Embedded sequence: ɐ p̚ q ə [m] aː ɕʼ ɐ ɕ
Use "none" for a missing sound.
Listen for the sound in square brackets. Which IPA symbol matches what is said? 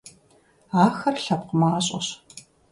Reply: m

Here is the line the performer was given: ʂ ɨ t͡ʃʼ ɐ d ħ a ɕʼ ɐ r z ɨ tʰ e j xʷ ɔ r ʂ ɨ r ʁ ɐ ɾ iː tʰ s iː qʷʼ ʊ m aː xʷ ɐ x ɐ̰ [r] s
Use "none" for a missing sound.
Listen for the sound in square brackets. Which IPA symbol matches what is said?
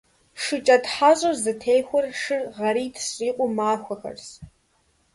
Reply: r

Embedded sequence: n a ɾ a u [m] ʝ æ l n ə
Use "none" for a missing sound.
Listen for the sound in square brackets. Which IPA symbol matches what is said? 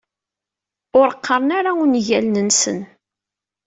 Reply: n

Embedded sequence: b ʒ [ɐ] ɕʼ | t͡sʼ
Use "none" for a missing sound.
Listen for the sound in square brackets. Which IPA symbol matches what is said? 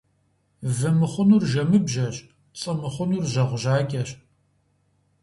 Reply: ɐ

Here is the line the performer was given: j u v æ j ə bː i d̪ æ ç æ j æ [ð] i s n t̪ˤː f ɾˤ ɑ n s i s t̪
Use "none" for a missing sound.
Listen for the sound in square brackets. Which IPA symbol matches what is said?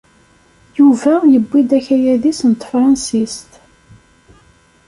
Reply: ð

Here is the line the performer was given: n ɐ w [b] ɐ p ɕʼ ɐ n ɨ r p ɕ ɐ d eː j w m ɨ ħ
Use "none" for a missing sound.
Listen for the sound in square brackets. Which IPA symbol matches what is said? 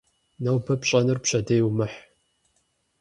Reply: b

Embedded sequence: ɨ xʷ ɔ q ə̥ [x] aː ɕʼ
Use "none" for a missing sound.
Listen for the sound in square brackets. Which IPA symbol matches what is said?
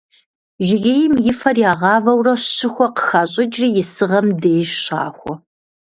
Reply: x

